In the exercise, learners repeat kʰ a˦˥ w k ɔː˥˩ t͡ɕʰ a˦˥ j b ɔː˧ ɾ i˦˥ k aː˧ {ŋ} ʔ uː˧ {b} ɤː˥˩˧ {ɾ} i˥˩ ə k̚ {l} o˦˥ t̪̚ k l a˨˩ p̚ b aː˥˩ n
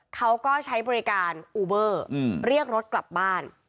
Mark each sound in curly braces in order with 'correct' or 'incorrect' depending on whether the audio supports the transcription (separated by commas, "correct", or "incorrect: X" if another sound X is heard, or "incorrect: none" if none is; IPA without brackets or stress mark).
incorrect: n, correct, correct, incorrect: ɾ